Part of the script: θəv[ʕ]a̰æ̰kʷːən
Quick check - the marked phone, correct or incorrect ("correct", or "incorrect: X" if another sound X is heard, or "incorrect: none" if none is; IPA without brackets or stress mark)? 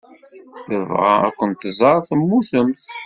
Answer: incorrect: ʁ